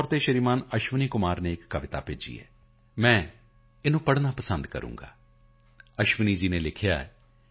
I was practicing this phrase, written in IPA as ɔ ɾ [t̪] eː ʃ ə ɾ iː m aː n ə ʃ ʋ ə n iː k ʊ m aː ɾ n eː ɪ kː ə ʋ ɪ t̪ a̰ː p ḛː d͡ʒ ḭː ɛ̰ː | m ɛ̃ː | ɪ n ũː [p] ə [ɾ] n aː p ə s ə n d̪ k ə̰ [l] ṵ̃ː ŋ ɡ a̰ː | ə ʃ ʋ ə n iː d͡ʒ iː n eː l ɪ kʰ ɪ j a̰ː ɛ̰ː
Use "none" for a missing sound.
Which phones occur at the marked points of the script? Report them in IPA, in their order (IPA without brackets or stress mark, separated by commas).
t̪, p, ɽ, ɾ